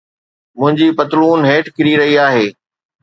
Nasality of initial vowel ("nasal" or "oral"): nasal